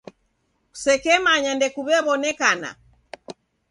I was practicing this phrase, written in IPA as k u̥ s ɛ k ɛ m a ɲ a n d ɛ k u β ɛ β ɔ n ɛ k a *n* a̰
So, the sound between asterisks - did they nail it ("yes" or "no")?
yes